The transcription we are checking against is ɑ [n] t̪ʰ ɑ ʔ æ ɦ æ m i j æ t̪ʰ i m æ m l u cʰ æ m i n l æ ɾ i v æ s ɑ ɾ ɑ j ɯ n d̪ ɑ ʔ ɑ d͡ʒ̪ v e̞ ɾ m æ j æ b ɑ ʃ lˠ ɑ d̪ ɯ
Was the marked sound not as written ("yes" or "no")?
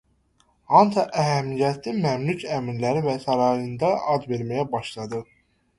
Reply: no